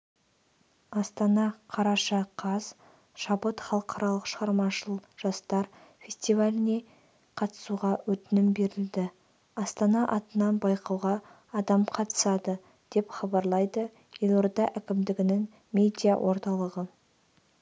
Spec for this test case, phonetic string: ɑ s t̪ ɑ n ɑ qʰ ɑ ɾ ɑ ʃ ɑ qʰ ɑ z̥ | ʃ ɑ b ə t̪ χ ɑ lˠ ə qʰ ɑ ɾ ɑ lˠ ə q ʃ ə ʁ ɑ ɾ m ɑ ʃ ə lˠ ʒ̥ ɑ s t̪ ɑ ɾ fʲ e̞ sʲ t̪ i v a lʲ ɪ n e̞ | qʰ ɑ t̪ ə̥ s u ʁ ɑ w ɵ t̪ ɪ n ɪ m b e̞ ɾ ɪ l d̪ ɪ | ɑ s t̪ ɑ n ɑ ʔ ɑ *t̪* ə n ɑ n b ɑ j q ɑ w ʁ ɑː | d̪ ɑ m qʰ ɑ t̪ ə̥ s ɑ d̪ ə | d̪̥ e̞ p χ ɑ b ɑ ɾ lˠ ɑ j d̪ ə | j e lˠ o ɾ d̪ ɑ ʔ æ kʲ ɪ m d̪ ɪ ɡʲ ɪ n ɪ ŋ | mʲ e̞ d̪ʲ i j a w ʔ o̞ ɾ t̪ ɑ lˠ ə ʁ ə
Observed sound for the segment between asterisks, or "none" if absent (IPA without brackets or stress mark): t̪